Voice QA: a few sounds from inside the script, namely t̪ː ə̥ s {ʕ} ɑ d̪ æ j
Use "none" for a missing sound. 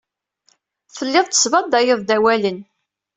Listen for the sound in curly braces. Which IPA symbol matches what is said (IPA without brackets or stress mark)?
v